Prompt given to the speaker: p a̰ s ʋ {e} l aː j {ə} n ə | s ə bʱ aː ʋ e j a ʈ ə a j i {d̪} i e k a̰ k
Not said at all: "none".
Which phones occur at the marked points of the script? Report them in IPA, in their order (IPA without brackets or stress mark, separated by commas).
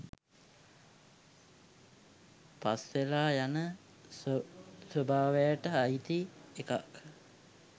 e, a, t̪